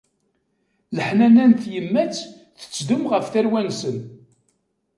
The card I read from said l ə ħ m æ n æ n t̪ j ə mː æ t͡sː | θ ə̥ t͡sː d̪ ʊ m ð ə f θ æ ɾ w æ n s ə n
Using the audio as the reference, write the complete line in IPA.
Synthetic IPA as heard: l ə ħ n æ n æ n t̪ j ə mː æ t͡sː | θ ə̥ t͡sː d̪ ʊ m ʁ ə f θ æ ɾ w æ n s ə n